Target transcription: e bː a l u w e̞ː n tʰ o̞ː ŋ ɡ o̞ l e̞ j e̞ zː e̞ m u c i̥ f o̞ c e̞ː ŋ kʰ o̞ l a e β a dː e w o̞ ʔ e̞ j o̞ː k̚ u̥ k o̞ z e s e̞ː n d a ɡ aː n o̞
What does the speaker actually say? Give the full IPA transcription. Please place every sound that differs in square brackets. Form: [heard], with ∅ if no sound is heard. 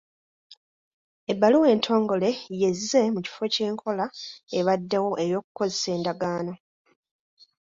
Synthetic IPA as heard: e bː a l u w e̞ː n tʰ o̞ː ŋ ɡ o̞ l e̞ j e̞ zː e̞ m u c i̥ f o̞ c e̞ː ŋ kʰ o̞ l a e β a dː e w o̞ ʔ e̞ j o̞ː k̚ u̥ k o̞ z e s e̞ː n d a ɡ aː n o̞

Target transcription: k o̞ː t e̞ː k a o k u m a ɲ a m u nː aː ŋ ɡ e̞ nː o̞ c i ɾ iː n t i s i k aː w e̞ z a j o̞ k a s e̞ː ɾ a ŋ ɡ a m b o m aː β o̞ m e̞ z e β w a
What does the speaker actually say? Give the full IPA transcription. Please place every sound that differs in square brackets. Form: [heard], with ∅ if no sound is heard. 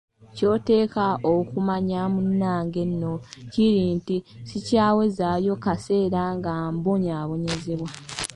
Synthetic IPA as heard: [c] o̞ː t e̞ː k a o k u m a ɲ a m u nː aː ŋ ɡ e̞ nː o̞ c i ɾ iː n t i s i [c] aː w e̞ z a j o̞ k a s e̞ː ɾ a ŋ ɡ a m b o [ɲ] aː β o̞ [ɲ] e̞ z e β w a

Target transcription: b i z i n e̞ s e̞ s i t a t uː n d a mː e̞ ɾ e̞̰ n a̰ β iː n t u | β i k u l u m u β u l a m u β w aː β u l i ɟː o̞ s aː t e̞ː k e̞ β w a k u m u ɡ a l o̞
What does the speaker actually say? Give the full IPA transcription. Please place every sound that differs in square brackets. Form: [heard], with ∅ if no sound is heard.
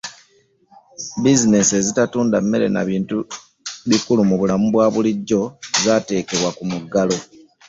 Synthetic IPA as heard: b i z i n e̞ s e̞ [z] i t a t uː n d a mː e̞ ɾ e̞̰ n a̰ β iː n t u | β i k u l u m u β u l a m u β w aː β u l i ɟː o̞ [z] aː t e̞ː k e̞ β w a k u m u ɡ a l o̞

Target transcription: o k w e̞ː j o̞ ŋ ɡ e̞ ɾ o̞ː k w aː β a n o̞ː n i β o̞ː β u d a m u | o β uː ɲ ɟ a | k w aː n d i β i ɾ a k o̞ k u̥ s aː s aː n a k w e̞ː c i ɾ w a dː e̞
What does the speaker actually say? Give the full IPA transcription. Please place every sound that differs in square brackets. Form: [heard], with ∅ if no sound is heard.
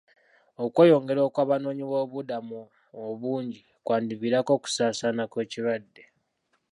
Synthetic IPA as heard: o k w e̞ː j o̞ ŋ ɡ e̞ ɾ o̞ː k w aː β a n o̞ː [ɲ] i β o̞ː β u d a m u | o β uː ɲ ɟ [i] | k w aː n d i β i ɾ a k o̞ k u̥ s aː s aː n a k w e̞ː c i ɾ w a dː e̞

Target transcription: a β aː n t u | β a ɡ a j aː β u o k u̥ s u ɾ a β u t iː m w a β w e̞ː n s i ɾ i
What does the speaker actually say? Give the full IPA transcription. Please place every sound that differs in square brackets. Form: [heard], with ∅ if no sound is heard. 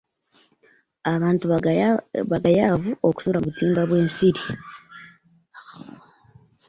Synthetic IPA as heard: a β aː n t u | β a ɡ a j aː [v] u o k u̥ s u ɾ a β u t iː m [b] a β w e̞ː n s i ɾ i

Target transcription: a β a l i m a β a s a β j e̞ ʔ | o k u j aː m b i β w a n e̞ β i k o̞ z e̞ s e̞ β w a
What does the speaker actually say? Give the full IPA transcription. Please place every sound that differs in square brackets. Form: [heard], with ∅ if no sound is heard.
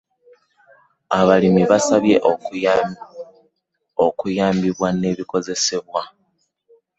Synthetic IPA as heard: a β a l i m [i] β a s a β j e̞ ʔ | o k u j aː m b i β w a n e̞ β i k o̞ z e̞ s e̞ β w a

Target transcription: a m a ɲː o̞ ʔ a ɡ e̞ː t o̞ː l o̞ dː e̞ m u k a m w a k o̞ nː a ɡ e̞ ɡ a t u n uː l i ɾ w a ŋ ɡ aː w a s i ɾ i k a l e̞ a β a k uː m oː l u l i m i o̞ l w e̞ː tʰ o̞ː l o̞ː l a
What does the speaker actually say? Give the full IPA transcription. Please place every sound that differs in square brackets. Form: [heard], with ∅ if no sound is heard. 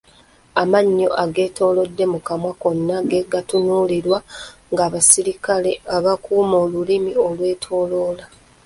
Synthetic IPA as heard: a m a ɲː o̞ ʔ a ɡ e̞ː t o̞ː l o̞ dː e̞ m u k a m w a k o̞ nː a ɡ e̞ ɡ a t u n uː l i ɾ w a ŋ ɡ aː [β] a s i ɾ i k a l e̞ a β a k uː m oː l u l i m i o̞ l w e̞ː tʰ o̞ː l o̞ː l a

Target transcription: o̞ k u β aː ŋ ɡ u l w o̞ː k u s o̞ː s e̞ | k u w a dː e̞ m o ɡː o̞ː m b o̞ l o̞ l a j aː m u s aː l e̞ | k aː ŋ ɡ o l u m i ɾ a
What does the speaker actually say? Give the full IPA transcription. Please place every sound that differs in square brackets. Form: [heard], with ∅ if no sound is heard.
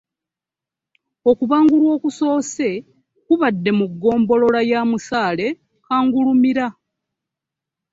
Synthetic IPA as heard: o̞ k u β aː ŋ ɡ u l w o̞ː k u s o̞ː s e̞ | k u [β] a dː e̞ m [u] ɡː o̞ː m b o̞ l o̞ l a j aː m u s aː l e̞ | k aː ŋ ɡ [u] l u m i ɾ a

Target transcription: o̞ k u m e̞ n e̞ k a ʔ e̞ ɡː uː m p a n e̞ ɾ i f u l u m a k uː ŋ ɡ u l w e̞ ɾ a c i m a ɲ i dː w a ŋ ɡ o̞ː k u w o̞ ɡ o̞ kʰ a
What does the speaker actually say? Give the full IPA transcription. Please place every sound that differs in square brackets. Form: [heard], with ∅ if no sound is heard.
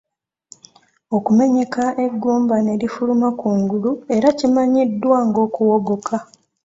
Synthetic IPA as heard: o̞ k u m e̞ [ɲ] e̞ k a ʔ e̞ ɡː uː m [b] a n e̞ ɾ i f u l u m a k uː ŋ ɡ u l [u] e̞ ɾ a c i m a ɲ i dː w a ŋ ɡ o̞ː k u w o̞ ɡ o̞ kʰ a

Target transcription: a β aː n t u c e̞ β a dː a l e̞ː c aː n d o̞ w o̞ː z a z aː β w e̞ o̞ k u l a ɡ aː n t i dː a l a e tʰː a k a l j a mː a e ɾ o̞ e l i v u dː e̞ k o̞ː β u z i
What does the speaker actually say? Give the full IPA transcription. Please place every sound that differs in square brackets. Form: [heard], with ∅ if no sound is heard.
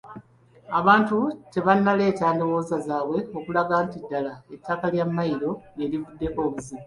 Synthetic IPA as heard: a β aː n t u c e̞ β a [nː] a l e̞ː c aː n d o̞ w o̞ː z a z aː β w e̞ o̞ k u l a ɡ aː n t i dː a l a e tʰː a k a l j a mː a [i] ɾ o̞ e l i v u dː e̞ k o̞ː β u z i

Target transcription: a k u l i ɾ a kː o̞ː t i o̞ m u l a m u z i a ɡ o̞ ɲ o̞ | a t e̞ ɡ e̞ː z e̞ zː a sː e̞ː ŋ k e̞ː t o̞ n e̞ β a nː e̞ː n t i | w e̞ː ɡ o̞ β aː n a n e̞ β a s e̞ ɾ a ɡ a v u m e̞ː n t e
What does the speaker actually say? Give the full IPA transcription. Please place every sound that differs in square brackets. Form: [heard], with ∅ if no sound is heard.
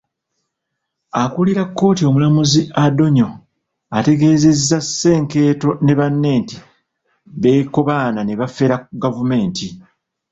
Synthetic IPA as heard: a k u l i ɾ a kː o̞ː t i o̞ m u l a m u z i a [d] o̞ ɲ o̞ | a t e̞ ɡ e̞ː z e̞ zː a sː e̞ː ŋ k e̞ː t o̞ n e̞ β a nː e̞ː n t i | [β] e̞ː [k] o̞ β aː n a n e̞ β a [f] e̞ ɾ a ɡ a v u m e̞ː n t [i]

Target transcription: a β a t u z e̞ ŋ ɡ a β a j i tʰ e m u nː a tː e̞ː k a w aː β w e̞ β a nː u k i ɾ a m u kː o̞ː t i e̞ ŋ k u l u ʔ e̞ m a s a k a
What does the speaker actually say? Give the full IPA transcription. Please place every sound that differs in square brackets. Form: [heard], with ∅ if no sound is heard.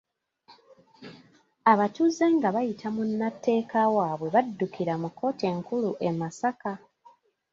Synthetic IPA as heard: a β a t u z e̞ ŋ ɡ a β a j i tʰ [a] m u nː a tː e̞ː k a w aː β w e̞ β a [dː] u k i ɾ a m u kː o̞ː t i e̞ ŋ k u l u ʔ e̞ m a s a k a

